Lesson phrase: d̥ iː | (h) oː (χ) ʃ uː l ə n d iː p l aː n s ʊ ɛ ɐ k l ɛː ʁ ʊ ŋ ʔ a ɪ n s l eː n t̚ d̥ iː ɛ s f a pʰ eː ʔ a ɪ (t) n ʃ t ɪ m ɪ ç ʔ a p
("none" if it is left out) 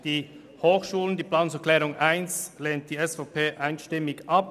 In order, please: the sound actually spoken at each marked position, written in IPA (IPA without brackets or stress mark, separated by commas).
h, x, none